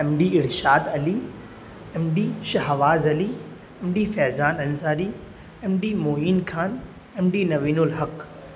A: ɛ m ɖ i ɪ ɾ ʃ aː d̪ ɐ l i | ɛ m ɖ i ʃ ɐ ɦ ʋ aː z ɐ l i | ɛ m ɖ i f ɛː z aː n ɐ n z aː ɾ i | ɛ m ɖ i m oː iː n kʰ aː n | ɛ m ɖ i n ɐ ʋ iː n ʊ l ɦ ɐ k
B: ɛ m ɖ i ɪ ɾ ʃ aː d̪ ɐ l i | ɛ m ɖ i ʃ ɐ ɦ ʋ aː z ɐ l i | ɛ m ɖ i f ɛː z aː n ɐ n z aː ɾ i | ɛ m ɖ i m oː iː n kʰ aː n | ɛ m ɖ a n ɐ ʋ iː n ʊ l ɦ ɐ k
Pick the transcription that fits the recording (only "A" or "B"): A